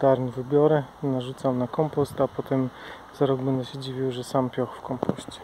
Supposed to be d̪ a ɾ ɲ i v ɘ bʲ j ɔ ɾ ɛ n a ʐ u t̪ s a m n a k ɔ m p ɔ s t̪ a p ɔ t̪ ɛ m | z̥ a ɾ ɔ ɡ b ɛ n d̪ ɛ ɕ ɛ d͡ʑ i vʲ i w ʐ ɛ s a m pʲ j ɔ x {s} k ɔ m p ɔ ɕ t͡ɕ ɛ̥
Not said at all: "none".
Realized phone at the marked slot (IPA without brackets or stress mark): f